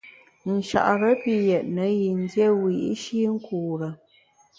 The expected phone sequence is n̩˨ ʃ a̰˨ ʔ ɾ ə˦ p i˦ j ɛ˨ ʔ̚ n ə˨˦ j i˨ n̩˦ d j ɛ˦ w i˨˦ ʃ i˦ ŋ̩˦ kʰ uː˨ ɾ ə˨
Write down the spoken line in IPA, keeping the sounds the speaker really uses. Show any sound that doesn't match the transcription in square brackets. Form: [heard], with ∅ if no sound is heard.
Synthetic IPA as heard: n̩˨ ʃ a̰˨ ʔ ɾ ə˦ p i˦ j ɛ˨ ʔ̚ n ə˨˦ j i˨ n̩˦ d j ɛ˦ w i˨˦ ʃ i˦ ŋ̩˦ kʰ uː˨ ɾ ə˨